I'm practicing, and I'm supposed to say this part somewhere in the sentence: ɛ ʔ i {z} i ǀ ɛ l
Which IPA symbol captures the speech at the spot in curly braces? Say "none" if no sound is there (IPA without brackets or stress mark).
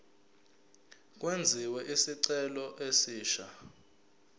s